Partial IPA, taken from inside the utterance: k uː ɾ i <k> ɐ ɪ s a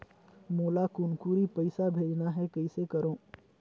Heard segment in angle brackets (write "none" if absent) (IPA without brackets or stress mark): p